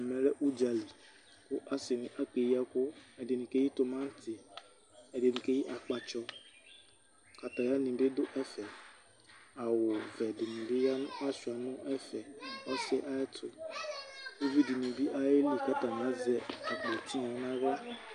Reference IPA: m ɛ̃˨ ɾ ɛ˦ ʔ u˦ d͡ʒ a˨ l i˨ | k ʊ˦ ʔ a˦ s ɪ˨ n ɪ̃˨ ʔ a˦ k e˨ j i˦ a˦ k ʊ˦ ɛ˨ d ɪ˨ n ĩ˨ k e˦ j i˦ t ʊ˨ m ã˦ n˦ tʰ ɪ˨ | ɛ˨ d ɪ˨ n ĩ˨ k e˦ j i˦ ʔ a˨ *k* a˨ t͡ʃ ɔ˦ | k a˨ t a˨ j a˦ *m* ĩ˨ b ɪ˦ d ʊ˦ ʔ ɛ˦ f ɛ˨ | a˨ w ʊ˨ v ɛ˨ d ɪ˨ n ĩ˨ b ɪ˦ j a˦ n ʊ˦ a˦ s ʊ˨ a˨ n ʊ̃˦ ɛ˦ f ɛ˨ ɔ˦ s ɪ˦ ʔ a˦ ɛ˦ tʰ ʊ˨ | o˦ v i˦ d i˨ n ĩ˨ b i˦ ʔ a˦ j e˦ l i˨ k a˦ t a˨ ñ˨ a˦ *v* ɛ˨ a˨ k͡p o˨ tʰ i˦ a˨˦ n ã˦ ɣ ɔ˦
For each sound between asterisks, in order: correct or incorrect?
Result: incorrect, incorrect, incorrect

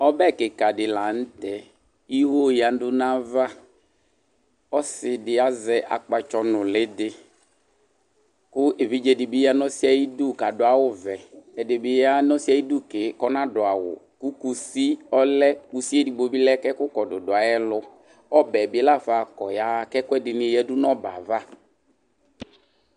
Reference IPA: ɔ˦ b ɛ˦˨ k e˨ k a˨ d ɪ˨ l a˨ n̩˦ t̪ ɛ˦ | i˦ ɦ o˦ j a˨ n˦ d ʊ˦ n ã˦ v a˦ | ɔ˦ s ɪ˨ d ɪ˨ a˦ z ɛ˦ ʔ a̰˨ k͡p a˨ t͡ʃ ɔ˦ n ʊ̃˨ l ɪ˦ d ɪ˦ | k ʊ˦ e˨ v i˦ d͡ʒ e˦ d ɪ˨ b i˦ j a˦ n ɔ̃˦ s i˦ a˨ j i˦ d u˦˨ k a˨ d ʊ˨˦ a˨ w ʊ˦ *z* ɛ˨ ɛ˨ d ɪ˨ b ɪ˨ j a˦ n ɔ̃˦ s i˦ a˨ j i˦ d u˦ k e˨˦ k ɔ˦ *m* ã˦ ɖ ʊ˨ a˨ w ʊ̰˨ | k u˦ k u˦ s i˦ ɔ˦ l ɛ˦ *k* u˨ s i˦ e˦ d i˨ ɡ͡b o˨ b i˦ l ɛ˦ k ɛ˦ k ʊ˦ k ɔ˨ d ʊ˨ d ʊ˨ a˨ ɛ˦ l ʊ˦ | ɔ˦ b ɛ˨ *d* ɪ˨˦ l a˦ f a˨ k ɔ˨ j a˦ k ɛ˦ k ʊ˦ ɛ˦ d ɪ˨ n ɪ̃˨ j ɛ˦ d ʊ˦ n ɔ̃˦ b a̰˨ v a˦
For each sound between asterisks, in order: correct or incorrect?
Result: incorrect, incorrect, correct, incorrect

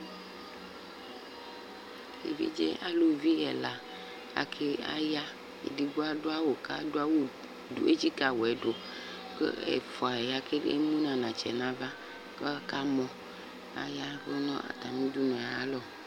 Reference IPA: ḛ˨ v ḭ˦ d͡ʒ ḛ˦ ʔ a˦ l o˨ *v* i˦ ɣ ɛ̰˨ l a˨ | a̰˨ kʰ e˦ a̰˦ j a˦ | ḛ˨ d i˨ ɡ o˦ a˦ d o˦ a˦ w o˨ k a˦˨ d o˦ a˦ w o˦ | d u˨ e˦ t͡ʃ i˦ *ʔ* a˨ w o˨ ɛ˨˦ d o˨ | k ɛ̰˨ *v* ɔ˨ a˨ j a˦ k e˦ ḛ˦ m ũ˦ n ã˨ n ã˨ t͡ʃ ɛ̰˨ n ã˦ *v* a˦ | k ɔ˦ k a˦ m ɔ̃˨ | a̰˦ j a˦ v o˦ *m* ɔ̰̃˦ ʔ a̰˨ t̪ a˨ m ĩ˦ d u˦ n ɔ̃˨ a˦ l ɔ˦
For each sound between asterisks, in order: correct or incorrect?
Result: correct, incorrect, incorrect, correct, incorrect

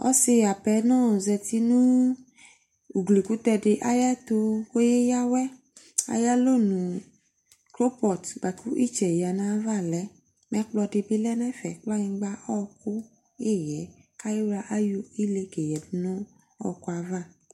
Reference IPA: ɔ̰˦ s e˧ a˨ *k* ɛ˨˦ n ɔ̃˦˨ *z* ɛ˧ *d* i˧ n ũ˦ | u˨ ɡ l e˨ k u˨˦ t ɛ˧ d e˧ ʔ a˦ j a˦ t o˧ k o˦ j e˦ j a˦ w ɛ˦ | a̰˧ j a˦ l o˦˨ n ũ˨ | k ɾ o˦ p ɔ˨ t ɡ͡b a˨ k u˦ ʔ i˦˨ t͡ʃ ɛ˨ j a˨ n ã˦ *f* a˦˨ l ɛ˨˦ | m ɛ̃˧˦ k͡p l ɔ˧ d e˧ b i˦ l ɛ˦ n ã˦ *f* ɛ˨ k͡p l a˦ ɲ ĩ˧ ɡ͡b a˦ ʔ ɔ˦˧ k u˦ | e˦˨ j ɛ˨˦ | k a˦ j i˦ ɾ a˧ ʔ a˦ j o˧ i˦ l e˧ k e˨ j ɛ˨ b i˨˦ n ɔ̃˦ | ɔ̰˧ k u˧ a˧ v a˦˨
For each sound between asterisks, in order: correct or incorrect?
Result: incorrect, correct, incorrect, incorrect, correct

